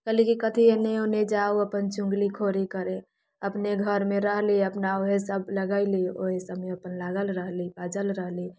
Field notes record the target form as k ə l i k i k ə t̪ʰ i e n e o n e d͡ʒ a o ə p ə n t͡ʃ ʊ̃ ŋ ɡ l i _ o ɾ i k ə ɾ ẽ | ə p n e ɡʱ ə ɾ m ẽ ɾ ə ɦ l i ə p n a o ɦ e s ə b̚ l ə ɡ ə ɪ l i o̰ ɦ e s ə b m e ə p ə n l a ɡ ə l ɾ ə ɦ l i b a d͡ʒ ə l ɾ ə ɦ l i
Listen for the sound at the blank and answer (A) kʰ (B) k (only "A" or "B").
A